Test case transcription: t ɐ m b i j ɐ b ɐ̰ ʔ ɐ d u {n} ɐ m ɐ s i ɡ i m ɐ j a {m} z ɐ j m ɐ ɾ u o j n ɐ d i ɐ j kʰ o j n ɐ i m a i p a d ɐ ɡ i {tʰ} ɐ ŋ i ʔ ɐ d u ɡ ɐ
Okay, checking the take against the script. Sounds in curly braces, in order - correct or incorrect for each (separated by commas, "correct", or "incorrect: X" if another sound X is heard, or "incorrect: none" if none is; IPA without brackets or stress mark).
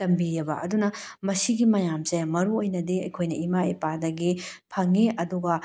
correct, correct, incorrect: pʰ